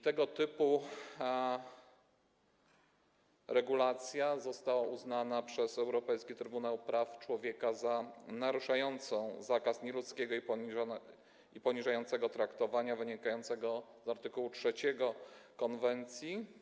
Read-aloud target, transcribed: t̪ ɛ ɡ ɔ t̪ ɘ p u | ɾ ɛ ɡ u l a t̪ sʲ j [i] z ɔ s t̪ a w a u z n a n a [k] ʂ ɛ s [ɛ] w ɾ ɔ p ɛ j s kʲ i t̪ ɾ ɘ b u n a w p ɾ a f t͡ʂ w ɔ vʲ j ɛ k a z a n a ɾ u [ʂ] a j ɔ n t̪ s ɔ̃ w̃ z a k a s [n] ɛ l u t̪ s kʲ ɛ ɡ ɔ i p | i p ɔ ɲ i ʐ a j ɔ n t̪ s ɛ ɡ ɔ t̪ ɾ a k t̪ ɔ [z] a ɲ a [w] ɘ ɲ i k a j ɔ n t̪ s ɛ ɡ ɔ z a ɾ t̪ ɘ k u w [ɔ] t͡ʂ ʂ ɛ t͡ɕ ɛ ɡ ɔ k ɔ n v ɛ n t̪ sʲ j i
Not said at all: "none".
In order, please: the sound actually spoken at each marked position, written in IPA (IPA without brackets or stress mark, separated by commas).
a, p, ɛ, ʂ, ɲ, v, v, u